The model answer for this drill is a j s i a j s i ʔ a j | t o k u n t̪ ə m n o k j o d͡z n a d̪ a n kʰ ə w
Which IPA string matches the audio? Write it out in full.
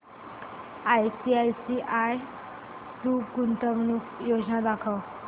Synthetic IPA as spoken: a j s i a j s i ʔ a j | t u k u n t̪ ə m n u k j o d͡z n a d̪ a kʰ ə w